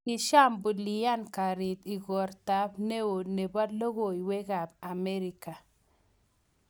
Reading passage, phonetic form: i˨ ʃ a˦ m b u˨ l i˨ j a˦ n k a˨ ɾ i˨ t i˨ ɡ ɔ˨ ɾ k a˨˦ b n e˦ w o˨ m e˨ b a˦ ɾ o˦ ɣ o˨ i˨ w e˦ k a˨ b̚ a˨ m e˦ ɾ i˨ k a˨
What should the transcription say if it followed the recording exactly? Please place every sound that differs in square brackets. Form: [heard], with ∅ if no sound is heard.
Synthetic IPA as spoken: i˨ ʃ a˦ m b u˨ l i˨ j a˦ n k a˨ ɾ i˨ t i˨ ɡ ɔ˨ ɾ [t] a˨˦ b n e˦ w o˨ [n] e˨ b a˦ [l] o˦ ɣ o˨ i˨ w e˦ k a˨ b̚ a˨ m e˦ ɾ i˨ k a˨